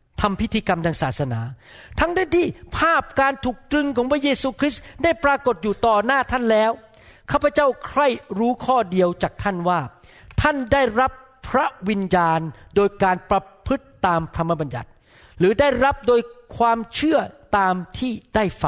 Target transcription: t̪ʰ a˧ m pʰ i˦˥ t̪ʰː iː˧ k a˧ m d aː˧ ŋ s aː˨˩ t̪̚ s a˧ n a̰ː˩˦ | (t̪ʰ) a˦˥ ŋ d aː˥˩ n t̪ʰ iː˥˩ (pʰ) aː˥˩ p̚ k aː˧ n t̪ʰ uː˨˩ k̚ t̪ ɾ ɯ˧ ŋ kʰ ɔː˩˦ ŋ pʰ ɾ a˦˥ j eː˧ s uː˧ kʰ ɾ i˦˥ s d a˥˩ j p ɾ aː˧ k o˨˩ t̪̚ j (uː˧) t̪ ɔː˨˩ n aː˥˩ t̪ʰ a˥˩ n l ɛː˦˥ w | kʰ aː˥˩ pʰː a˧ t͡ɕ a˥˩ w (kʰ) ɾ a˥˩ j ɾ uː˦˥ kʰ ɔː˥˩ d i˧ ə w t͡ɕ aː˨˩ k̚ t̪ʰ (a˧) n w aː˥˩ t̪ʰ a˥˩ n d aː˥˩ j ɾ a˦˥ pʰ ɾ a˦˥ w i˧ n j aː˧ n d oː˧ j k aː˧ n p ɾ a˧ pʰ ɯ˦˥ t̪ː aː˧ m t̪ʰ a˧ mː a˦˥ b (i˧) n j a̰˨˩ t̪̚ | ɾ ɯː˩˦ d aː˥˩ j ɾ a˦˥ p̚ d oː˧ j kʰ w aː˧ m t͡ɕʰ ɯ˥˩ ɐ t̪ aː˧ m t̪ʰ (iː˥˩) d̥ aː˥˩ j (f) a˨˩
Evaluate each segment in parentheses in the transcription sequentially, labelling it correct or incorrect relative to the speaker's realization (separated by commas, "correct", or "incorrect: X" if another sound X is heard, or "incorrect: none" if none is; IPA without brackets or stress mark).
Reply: correct, correct, incorrect: uː˨˩, correct, incorrect: a˥˩, incorrect: a˧, correct, correct